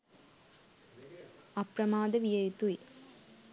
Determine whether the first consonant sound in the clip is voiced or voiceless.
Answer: voiceless